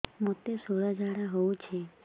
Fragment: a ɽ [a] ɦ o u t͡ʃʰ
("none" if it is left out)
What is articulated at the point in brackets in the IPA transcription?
a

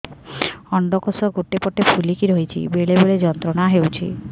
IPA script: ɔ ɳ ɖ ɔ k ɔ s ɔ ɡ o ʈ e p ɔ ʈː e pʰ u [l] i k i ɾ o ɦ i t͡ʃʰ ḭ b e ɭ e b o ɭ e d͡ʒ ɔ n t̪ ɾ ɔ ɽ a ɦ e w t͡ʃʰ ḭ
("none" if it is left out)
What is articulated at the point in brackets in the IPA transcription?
l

